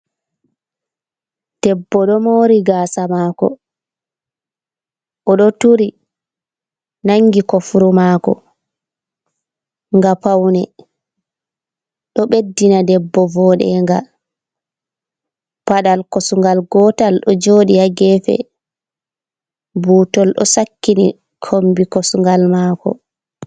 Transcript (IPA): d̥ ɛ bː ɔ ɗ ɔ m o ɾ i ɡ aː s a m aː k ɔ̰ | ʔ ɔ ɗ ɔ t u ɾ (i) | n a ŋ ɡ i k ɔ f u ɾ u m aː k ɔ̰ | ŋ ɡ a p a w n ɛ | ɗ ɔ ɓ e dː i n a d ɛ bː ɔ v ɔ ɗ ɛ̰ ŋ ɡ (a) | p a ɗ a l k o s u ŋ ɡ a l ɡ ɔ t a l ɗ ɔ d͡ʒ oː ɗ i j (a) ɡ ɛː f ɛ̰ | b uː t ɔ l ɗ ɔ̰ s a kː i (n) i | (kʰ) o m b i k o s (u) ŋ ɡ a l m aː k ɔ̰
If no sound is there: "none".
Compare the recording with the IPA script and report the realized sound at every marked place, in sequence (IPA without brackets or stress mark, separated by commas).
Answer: i, a, a, n, kʰ, u